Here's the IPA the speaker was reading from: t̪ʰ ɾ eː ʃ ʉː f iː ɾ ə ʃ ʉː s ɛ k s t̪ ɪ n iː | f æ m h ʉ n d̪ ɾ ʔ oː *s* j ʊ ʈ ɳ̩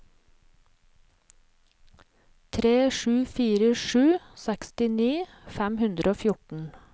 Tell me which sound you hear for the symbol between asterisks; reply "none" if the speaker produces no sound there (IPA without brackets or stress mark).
f